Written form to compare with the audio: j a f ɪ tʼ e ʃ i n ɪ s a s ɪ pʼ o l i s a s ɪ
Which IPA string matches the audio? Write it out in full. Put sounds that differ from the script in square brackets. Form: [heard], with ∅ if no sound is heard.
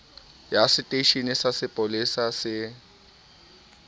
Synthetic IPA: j a [s] ɪ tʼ e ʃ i n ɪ s a s ɪ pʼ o l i s a s ɪ